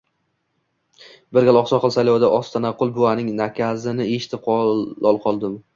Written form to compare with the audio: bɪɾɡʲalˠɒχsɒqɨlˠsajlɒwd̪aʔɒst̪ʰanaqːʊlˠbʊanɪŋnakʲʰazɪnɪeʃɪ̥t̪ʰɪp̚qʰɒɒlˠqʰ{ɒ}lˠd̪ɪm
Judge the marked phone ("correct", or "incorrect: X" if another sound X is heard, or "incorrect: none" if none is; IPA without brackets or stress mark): correct